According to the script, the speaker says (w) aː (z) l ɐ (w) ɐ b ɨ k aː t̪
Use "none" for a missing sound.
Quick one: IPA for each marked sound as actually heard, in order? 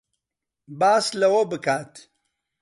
b, s, w

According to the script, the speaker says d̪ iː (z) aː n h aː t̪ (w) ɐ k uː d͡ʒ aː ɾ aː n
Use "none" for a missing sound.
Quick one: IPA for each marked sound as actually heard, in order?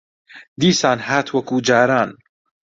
s, w

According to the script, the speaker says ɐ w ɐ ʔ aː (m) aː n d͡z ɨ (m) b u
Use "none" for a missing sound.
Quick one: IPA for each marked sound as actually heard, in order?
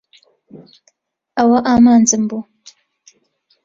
m, m

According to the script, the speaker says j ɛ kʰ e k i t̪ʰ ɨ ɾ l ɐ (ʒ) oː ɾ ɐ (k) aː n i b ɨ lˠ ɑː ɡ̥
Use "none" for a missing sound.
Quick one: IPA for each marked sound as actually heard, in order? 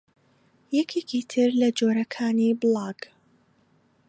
d͡ʒ, kʰ

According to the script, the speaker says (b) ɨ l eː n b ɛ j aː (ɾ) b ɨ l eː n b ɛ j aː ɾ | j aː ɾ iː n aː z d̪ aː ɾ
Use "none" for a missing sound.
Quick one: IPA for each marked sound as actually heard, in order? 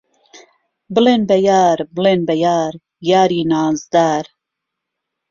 b, ɾ

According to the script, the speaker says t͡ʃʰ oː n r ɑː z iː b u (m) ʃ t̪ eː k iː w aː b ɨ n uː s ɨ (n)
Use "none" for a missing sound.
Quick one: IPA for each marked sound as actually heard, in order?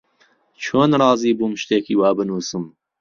m, m

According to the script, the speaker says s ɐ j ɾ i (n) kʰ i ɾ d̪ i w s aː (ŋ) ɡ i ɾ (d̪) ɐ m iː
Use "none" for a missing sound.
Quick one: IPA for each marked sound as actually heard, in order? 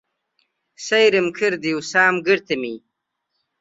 m, m, t̪

